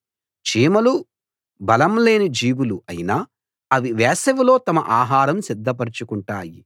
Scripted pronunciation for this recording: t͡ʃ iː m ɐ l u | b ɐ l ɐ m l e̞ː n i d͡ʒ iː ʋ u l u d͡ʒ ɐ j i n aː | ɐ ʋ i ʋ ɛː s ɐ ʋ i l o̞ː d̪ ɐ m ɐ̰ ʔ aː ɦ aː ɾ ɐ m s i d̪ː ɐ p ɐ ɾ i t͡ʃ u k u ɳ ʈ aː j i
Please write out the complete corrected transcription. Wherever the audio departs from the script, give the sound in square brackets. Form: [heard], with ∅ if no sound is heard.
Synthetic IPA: t͡ʃ iː m ɐ l u | b ɐ l ɐ m l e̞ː n i d͡ʒ iː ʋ u l u [∅] ɐ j i n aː | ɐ ʋ i ʋ ɛː s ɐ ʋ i l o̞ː [t̪] ɐ m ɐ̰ ʔ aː ɦ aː ɾ ɐ m s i d̪ː ɐ p ɐ ɾ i t͡ʃ u k u ɳ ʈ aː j i

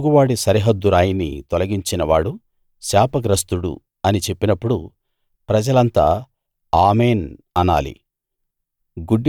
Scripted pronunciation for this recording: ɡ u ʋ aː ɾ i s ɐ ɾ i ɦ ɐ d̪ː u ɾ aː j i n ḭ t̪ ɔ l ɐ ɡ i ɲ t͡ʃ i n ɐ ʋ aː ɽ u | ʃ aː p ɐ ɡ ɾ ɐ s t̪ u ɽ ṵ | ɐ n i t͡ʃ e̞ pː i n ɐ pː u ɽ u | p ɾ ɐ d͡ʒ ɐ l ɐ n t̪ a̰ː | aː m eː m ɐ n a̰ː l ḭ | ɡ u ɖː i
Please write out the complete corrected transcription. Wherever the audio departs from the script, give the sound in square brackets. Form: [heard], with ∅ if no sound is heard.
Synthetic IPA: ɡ u ʋ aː [ɽ] i s ɐ ɾ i ɦ ɐ d̪ː u ɾ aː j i n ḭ t̪ ɔ l ɐ ɡ i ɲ t͡ʃ i n ɐ ʋ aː ɽ u | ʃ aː p ɐ ɡ ɾ ɐ s t̪ u ɽ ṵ | ɐ n i t͡ʃ e̞ pː i n ɐ pː u ɽ u | p ɾ ɐ d͡ʒ ɐ l ɐ n t̪ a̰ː | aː m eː [n] ɐ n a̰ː l ḭ | ɡ u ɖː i

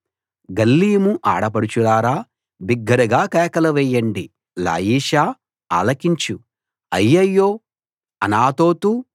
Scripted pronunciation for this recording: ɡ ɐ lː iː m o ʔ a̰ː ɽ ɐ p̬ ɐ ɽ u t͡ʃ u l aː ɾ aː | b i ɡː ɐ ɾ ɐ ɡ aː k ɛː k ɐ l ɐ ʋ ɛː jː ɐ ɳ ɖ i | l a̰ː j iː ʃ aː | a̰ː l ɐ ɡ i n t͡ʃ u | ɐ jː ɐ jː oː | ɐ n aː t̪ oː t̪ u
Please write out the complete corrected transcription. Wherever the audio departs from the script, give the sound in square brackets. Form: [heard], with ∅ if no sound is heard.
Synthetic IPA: ɡ ɐ lː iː m [u] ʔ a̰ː ɽ ɐ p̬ ɐ ɽ u t͡ʃ u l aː ɾ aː | b i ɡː ɐ ɾ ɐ ɡ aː k ɛː k ɐ l ɐ ʋ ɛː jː ɐ ɳ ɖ i | l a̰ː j iː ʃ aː | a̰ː l ɐ [k] i [ɲ] t͡ʃ u | ɐ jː ɐ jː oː | ɐ n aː t̪ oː t̪ u

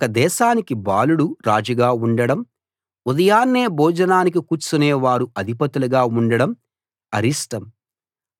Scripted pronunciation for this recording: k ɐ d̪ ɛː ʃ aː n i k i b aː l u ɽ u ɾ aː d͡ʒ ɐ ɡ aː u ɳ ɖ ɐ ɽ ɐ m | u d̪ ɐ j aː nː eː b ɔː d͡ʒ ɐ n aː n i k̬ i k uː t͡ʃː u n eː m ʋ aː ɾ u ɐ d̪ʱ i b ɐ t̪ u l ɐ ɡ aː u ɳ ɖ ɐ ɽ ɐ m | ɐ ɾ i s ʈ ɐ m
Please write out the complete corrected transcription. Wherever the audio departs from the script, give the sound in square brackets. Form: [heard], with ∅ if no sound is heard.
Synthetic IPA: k ɐ d̪ ɛː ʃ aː n i k i b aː l u ɽ u ɾ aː d͡ʒ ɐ ɡ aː u ɳ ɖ ɐ ɽ ɐ m | u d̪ ɐ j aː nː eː b ɔː d͡ʒ ɐ n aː n i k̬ i k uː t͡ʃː u n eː [∅] ʋ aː ɾ u ɐ d̪ʱ i [p] ɐ t̪ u l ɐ ɡ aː u ɳ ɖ ɐ ɽ ɐ m | ɐ ɾ i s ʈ ɐ m

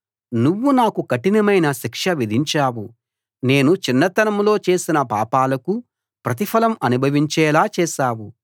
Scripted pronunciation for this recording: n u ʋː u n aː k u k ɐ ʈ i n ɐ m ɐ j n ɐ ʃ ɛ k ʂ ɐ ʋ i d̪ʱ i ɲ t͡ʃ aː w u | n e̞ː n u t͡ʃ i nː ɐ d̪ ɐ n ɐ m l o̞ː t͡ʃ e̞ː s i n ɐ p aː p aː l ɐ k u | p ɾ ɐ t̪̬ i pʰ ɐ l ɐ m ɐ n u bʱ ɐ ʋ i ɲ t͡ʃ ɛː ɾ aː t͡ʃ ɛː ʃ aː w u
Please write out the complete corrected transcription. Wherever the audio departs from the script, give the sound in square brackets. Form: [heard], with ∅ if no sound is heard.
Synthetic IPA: n u ʋː u n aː k u k ɐ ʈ i n ɐ m ɐ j n ɐ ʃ [i] k ʂ ɐ ʋ i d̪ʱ i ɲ t͡ʃ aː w u | n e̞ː n u t͡ʃ i nː ɐ [t̪] ɐ n ɐ m l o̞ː t͡ʃ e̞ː s i n ɐ p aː p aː l ɐ k u | p ɾ ɐ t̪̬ i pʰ ɐ l ɐ m ɐ n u bʱ ɐ ʋ i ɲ t͡ʃ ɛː [l] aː t͡ʃ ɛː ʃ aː w u

